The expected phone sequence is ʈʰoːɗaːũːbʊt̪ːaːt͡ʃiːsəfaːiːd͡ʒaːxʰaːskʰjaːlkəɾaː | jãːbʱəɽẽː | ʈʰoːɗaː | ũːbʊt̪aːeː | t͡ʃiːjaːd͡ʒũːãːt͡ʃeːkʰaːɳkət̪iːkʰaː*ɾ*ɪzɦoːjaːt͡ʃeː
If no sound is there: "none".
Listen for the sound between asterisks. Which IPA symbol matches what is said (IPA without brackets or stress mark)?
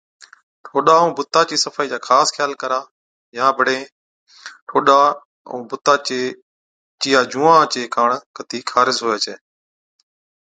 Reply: ɾ